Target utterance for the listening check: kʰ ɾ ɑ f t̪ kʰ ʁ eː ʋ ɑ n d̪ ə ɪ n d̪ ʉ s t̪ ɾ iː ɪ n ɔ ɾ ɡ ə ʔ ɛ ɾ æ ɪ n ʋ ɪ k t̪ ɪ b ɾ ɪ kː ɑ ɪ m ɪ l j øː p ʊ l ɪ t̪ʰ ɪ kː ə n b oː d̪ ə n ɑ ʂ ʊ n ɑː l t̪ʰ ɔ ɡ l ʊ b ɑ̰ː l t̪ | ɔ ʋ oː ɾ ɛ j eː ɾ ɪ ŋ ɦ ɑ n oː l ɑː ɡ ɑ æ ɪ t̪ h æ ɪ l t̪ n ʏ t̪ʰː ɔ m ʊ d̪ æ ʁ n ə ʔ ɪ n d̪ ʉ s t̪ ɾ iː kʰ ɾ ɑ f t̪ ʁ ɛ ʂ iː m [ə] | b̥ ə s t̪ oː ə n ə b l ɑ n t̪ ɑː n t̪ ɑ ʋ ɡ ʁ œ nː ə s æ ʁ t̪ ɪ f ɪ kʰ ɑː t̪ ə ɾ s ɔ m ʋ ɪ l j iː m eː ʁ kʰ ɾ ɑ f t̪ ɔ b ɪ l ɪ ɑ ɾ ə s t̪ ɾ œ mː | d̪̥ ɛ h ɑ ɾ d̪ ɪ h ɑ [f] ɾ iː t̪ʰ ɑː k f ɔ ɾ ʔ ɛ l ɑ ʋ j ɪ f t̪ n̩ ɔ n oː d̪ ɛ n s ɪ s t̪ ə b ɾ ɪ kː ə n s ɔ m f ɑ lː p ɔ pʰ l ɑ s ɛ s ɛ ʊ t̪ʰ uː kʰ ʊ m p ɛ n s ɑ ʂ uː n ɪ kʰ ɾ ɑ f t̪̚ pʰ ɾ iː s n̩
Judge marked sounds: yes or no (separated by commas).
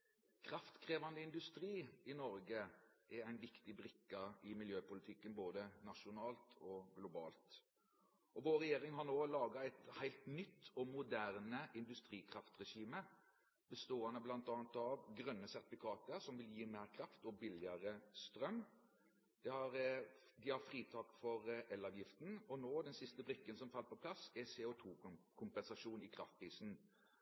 yes, yes